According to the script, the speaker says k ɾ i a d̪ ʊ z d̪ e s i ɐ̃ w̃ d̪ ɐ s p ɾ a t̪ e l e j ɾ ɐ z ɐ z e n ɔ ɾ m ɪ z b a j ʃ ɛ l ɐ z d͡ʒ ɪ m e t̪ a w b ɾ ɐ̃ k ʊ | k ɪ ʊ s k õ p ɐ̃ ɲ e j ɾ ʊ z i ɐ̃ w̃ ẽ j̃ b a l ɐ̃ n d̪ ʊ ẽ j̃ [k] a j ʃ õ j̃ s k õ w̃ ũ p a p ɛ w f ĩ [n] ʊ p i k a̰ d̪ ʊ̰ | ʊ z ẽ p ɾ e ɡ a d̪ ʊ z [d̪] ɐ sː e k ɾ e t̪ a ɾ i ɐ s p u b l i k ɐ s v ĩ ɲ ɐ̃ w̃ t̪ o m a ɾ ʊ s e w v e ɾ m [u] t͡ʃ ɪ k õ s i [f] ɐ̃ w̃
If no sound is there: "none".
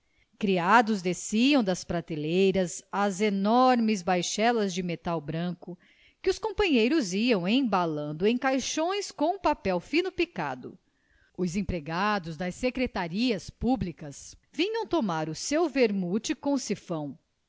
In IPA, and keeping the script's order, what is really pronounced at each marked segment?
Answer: k, n, d̪, u, f

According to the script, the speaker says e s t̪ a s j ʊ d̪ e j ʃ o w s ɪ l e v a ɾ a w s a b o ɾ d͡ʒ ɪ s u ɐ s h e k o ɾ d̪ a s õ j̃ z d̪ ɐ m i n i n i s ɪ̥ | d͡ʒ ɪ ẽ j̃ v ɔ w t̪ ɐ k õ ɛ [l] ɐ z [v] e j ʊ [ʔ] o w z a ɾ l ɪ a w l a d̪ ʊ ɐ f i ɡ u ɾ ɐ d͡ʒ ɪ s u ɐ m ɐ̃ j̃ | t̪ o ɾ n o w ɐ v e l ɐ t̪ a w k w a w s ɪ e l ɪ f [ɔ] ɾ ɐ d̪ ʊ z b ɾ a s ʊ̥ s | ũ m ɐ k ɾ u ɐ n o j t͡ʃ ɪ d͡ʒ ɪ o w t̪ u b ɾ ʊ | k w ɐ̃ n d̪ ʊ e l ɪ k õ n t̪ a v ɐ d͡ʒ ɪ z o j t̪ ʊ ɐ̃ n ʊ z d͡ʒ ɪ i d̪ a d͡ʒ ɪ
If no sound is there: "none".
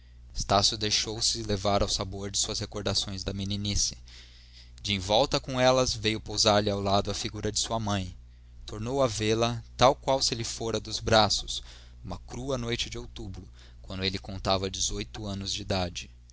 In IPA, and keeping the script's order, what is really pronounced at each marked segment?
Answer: l, v, p, o

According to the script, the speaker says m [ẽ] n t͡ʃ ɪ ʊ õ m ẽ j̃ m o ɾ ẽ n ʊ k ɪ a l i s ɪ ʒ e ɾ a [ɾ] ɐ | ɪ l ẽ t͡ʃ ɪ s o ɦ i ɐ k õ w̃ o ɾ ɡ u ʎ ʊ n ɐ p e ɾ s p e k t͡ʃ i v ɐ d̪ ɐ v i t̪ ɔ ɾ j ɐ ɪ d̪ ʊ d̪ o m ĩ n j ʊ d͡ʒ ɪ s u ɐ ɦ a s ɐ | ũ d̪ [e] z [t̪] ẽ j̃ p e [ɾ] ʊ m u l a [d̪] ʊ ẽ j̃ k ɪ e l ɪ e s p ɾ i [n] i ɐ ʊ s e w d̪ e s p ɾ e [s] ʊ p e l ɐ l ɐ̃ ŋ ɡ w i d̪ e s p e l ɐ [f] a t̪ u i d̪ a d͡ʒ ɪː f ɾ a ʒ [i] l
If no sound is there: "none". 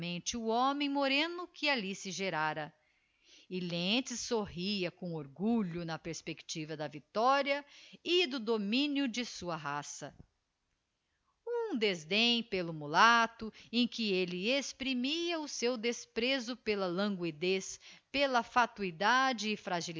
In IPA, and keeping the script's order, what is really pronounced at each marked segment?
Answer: ẽ, ɾ, e, d̪, l, t̪, m, z, f, i

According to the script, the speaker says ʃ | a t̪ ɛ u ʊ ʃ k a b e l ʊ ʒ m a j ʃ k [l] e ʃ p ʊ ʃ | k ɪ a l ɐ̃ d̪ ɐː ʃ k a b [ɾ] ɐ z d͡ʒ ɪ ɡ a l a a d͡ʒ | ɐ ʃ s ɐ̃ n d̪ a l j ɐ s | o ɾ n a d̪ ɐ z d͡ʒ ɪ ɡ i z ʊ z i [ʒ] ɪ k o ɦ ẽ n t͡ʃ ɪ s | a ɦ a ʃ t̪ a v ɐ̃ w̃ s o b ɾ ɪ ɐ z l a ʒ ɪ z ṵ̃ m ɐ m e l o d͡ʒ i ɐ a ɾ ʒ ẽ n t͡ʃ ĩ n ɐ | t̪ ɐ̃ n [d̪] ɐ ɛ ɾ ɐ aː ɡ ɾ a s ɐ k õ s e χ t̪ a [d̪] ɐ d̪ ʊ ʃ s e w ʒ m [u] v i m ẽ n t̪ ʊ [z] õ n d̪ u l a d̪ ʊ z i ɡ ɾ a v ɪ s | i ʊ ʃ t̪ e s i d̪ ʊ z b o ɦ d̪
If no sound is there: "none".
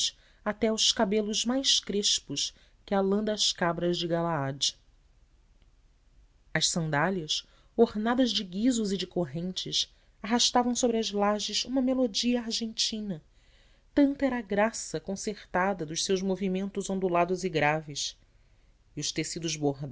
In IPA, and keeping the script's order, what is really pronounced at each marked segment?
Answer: ɾ, ɾ, d͡ʒ, t̪, d̪, o, z

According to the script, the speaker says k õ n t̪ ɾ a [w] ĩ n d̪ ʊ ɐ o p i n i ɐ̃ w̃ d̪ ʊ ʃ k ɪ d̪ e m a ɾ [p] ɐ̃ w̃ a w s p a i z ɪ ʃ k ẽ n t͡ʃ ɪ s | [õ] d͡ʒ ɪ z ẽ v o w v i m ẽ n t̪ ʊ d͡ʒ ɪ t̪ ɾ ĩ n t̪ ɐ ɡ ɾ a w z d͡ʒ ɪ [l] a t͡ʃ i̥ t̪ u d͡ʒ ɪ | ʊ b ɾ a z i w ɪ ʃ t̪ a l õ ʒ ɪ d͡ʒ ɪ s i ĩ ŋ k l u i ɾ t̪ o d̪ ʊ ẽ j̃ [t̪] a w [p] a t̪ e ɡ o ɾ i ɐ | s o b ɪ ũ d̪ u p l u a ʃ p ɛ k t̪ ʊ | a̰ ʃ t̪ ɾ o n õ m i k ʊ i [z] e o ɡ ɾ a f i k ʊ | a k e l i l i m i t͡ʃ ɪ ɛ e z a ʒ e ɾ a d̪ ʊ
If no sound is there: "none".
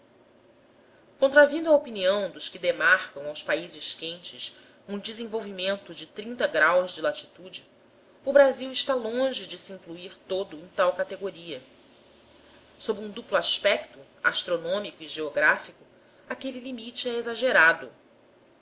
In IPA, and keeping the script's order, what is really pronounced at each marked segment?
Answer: v, k, ũ, l, t̪, k, ʒ

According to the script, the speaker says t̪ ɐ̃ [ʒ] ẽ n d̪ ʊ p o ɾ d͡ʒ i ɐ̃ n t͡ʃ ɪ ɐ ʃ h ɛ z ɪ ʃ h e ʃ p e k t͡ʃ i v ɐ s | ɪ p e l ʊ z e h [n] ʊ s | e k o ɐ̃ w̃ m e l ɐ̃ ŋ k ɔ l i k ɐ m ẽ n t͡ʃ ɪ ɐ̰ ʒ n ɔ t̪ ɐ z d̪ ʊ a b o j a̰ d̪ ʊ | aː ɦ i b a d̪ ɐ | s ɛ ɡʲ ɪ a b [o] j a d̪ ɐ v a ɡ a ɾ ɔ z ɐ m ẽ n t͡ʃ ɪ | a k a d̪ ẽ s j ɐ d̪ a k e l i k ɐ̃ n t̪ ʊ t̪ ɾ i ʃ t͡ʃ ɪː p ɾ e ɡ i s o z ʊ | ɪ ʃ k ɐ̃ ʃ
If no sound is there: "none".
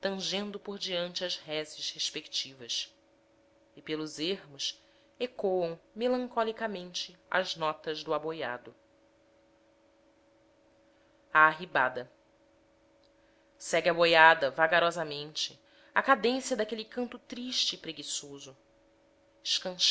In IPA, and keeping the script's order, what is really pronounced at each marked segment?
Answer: ʒ, m, o

